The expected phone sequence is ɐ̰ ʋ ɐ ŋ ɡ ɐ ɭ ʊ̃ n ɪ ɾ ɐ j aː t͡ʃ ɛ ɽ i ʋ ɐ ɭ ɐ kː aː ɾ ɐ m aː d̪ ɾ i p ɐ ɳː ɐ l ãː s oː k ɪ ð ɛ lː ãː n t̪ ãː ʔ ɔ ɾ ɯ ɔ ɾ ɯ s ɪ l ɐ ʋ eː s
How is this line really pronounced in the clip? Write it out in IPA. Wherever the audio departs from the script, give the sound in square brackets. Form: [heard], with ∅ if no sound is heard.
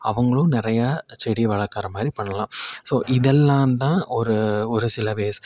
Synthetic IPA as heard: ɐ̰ ʋ ɐ ŋ ɡ ɐ ɭ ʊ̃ n ɪ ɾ ɐ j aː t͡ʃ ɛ ɽ i ʋ ɐ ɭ ɐ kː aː ɾ ɐ m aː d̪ ɾ i p ɐ ɳː ɐ l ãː s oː [ʔ] ɪ ð ɛ lː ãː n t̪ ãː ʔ ɔ ɾ ɯ ɔ ɾ ɯ s ɪ l ɐ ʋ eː s